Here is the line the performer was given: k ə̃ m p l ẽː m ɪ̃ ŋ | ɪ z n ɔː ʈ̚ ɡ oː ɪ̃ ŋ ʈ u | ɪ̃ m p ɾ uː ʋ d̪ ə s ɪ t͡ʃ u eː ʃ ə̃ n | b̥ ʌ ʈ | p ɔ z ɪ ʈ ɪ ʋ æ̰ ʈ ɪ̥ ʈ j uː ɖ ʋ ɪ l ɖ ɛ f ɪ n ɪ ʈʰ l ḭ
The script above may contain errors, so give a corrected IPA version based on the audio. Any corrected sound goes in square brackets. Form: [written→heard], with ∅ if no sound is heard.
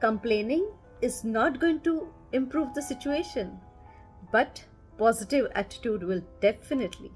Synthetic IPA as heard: k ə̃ m p l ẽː [m→n] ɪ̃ ŋ | ɪ z n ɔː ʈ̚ ɡ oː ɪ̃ ŋ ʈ u | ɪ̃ m p ɾ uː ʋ d̪ ə s ɪ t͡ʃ u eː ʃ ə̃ n | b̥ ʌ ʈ | p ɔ z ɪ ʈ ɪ ʋ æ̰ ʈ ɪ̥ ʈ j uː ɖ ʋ ɪ l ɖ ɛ f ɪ n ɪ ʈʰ l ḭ

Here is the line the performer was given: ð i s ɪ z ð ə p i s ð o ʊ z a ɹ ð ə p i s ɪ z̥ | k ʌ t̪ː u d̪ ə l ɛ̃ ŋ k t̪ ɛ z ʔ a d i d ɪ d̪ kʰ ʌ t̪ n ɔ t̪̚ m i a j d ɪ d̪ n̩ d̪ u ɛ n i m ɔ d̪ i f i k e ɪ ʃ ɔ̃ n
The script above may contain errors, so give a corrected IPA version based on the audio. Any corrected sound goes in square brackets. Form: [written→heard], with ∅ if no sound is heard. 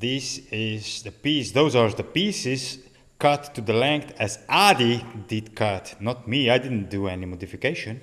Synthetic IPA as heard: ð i s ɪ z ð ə p i s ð o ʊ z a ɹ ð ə p i s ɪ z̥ | k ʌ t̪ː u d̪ ə l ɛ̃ ŋ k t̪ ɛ z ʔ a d i d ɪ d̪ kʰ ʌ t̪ n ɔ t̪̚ m i a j d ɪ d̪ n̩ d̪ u ɛ n i m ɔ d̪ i f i k e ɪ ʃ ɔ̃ n

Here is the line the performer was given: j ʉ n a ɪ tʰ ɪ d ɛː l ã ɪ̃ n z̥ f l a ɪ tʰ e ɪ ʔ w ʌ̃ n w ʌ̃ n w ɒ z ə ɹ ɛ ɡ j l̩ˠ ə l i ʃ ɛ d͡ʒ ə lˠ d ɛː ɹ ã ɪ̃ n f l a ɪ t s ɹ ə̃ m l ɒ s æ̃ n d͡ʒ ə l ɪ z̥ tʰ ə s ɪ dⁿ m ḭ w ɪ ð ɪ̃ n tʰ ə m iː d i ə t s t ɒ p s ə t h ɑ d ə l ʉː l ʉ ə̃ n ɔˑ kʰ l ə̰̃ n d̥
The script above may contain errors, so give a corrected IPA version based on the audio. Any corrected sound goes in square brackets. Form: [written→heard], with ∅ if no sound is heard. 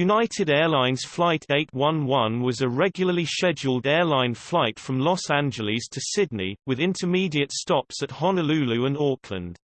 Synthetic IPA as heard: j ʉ n a ɪ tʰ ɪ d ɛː l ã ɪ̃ n z̥ f l a ɪ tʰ e ɪ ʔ w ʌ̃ n w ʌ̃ n w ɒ z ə ɹ ɛ ɡ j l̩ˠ ə l i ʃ ɛ d͡ʒ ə lˠ d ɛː [ɹ→l] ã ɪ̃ n f l a ɪ t [s→f] ɹ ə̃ m l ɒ s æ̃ n d͡ʒ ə l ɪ z̥ tʰ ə s ɪ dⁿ [m→n] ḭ w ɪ ð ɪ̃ n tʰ ə m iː d i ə t s t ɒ p s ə t h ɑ [d→n] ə l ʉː l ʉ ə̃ n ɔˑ kʰ l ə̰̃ n d̥

